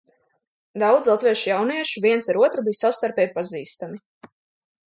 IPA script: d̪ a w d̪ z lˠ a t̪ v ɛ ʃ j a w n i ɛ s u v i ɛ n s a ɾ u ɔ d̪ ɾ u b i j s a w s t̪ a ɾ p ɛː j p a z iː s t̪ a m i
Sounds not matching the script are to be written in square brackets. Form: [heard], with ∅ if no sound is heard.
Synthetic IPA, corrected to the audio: d̪ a w d̪ z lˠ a t̪ v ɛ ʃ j a w n i ɛ [ʃ] u v i ɛ n s a ɾ u ɔ [t̪] ɾ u b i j s a w s t̪ a ɾ p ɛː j p a z iː s t̪ a m i